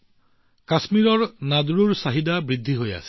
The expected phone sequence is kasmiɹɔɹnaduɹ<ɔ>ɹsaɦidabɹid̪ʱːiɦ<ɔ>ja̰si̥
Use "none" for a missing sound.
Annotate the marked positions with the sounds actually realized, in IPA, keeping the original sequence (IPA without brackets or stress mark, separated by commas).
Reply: u, o